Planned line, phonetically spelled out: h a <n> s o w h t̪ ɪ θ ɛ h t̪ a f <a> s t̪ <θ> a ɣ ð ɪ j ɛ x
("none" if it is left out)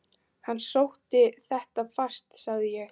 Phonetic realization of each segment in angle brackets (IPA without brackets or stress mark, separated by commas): nː, a, s